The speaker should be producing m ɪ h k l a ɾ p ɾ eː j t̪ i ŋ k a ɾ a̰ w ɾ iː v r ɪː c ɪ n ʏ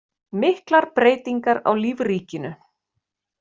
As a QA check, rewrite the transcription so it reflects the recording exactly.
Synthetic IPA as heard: m ɪ h k l a ɾ p ɾ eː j t̪ i ŋ k a ɾ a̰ w l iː v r iː c ɪ n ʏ